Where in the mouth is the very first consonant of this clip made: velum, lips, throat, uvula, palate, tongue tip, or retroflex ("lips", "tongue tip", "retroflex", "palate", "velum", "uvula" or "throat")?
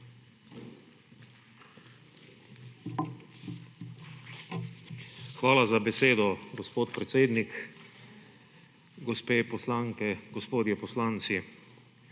velum